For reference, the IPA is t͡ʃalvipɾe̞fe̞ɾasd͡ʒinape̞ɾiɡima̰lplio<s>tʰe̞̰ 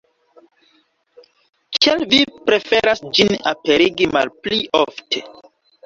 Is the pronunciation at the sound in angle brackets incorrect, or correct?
incorrect